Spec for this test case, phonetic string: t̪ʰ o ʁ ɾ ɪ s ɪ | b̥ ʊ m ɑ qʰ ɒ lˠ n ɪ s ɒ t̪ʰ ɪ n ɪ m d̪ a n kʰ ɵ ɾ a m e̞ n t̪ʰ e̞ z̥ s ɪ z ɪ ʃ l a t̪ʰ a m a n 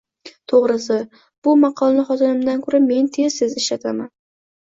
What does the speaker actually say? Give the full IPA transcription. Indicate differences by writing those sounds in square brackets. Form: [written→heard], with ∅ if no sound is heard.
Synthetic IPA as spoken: t̪ʰ o ʁ ɾ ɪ s ɪ | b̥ ʊ m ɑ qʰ ɒ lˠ n ɪ [s→χ] ɒ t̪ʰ ɪ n ɪ m d̪ a n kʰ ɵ ɾ a m e̞ n t̪ʰ e̞ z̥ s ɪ z ɪ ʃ l a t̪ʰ a m a n